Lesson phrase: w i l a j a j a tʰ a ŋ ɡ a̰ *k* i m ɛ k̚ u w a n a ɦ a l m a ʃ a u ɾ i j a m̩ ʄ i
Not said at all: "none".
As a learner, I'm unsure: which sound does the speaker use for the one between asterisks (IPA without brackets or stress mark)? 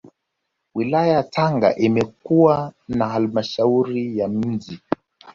ʔ